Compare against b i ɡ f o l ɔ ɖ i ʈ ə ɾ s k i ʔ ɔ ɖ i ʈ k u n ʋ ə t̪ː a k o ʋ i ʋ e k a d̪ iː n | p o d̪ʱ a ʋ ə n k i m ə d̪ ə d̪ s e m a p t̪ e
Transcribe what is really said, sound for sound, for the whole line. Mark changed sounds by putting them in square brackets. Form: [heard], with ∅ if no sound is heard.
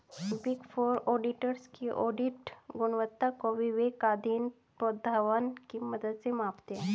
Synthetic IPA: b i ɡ f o [ɾ] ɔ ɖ i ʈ ə ɾ s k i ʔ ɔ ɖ i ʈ [ɡ] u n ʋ ə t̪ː a k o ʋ i ʋ e k a d̪ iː n | p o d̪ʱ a ʋ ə n k i m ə d̪ ə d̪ s e m a p t̪ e